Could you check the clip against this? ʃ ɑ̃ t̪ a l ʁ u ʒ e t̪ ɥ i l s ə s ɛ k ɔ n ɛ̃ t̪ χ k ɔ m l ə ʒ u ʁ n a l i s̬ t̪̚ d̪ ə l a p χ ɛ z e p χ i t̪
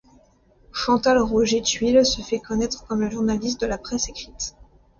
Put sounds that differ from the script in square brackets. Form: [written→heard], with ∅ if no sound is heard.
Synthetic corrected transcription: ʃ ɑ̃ t̪ a l ʁ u ʒ e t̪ ɥ i l s ə [s→f] ɛ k ɔ n [ɛ̃→ɛ] t̪ χ k ɔ m l ə ʒ u ʁ n a l i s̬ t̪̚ d̪ ə l a p χ ɛ [z→s] e [p→k] χ i t̪